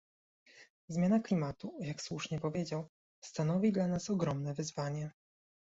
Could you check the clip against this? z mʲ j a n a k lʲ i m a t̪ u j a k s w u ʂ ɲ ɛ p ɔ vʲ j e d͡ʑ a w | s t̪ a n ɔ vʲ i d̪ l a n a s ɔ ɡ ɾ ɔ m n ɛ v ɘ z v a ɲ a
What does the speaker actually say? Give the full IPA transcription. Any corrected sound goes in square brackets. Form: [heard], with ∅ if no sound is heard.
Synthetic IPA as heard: z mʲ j a n a k lʲ i m a t̪ u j a k s w u ʂ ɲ ɛ p ɔ vʲ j e d͡ʑ a w | s t̪ a n ɔ vʲ i d̪ l a n a s ɔ ɡ ɾ ɔ m n ɛ v ɘ z v a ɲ [ɛ]